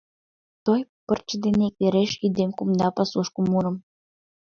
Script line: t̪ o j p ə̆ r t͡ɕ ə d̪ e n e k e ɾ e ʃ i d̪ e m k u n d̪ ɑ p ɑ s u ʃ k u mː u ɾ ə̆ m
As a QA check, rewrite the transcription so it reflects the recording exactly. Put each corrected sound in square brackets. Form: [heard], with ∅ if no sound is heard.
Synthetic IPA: t̪ o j p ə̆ r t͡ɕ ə d̪ e n e k e ɾ e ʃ i d̪ e m k u [m] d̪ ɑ p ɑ s u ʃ k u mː u ɾ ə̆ m